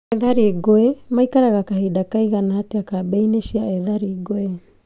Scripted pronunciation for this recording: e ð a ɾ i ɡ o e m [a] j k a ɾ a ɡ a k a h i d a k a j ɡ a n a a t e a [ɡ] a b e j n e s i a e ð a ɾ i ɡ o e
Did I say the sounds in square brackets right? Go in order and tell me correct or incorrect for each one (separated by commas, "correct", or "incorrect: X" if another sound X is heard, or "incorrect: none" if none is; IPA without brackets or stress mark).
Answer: correct, incorrect: k